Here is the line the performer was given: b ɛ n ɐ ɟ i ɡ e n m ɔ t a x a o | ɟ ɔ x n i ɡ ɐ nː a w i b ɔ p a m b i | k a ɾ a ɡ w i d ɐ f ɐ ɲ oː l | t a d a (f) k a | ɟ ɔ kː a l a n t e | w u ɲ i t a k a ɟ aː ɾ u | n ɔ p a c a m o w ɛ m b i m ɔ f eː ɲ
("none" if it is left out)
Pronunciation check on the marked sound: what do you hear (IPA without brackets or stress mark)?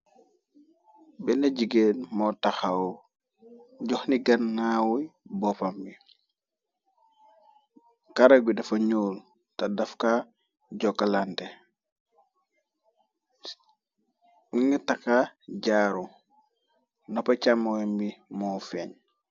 f